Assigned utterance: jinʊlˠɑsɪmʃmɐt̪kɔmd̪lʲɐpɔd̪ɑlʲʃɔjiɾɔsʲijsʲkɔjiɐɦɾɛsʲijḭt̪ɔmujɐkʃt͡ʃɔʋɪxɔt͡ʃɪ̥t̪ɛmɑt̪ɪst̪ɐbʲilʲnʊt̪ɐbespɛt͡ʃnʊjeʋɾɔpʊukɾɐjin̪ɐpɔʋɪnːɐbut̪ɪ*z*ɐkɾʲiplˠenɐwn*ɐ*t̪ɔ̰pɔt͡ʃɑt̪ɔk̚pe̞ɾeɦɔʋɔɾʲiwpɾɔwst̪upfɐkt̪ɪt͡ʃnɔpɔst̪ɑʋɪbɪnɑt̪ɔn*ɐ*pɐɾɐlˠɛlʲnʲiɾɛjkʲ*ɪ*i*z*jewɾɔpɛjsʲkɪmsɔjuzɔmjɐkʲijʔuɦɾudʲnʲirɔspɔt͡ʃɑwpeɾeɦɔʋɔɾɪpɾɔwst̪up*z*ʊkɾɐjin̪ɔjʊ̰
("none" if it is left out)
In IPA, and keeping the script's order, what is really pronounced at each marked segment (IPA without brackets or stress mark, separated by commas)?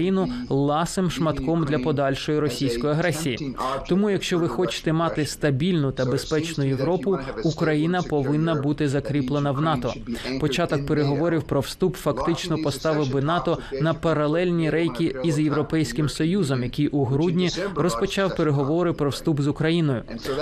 z, ɑ, ɐ, i, z, z